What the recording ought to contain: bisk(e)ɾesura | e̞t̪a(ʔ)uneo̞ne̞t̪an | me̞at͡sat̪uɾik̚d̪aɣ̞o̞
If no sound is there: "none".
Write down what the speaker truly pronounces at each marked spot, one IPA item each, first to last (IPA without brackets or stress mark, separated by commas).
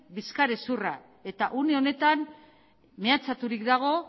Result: a, ʔ